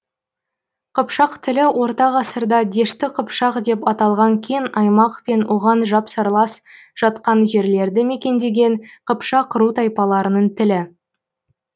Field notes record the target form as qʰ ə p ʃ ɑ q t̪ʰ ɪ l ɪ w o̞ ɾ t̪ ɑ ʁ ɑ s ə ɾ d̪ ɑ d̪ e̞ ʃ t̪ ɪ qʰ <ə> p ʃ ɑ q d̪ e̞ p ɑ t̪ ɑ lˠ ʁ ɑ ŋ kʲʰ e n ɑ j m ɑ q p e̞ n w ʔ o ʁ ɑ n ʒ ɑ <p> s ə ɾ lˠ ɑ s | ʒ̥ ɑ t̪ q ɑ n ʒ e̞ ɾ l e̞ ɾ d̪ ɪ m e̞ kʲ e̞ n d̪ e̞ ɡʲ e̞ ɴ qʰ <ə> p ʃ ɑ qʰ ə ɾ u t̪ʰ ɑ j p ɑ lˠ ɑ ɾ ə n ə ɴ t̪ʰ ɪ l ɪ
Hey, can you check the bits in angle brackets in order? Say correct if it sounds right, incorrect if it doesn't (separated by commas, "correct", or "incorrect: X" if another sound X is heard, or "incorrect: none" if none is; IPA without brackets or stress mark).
correct, correct, correct